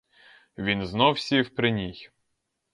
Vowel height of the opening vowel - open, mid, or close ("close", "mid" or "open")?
close